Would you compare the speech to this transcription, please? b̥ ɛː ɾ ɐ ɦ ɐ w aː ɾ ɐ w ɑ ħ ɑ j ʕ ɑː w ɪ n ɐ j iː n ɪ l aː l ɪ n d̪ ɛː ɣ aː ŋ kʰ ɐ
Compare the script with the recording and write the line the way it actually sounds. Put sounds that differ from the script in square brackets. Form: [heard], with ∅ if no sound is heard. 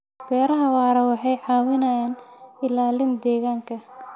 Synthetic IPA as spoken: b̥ ɛː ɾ ɐ ɦ ɐ w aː ɾ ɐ w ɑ ħ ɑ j ʕ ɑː w ɪ n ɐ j [aː] n ɪ l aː l ɪ n d̪ ɛː ɣ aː ŋ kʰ ɐ